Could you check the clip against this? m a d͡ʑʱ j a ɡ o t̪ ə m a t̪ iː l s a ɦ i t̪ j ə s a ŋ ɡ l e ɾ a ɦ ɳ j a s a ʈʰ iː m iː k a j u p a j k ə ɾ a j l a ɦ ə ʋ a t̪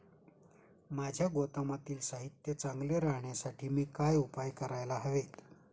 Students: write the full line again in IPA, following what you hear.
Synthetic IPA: m a d͡ʑʱ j a ɡ o t̪ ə m a t̪ iː l s a ɦ i t̪ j ə t͡s a ŋ ɡ l e ɾ a ɦ ɳ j a s a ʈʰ iː m iː k a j u p a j k ə ɾ a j l a ɦ ə ʋ e t̪